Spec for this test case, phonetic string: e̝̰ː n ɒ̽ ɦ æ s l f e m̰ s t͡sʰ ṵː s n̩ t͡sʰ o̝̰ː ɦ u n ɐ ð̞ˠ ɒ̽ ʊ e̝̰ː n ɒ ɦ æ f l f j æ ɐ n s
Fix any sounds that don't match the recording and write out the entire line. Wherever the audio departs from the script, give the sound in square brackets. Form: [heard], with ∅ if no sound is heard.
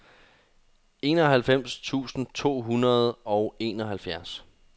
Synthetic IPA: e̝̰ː n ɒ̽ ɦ æ [∅] l f e m̰ s t͡sʰ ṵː s n̩ t͡sʰ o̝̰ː ɦ u n ɐ ð̞ˠ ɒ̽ ʊ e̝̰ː n ɒ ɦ æ [∅] l f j æ ɐ [∅] s